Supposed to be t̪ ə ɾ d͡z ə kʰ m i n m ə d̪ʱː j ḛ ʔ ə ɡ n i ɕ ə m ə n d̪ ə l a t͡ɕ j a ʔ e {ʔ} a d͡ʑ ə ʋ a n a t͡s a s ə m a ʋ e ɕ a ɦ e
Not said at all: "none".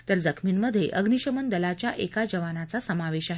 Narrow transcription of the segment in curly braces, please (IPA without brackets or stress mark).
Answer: k